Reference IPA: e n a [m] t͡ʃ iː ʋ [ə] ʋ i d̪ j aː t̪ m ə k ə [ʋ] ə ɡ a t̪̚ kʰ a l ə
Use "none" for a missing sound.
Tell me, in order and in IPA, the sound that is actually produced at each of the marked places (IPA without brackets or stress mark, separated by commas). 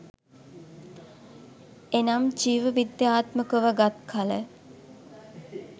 m, ə, ʋ